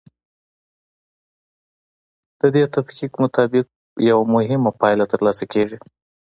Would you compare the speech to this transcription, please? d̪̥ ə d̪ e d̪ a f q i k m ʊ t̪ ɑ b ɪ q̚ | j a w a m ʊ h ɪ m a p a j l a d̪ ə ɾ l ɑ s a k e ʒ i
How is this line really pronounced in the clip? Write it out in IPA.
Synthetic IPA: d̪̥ ə d̪ e t̪ a f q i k m ʊ t̪ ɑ b ɪ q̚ | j a w a m ʊ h ɪ m a p ɑ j l a t̪ ə ɾ l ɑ s a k e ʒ i